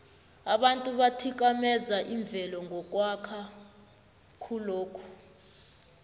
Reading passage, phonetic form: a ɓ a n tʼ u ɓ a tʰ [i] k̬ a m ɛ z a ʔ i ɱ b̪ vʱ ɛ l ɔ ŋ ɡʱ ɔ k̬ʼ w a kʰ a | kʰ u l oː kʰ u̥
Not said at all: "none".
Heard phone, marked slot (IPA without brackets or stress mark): i